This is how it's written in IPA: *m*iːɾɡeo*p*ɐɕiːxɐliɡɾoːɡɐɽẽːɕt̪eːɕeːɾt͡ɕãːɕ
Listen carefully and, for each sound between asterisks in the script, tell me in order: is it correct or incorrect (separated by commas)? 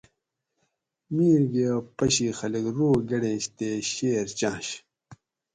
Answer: correct, correct